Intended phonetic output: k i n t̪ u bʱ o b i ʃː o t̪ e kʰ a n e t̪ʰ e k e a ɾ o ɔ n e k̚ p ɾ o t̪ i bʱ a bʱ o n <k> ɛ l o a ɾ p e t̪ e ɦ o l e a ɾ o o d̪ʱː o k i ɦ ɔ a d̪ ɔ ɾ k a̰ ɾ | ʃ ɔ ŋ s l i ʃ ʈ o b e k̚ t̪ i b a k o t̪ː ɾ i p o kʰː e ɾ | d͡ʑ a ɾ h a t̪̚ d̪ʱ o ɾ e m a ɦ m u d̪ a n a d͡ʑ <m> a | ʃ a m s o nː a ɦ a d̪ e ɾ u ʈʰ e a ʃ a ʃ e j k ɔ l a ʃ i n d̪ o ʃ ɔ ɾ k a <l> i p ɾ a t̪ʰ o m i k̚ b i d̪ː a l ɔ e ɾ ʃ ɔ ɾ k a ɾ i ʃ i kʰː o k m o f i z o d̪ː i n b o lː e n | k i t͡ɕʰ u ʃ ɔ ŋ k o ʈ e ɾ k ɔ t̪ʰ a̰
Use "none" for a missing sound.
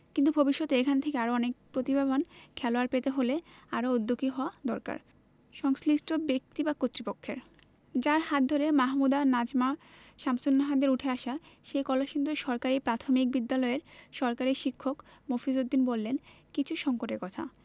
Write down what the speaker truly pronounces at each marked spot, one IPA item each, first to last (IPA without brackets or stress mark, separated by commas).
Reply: kʰ, m, ɾ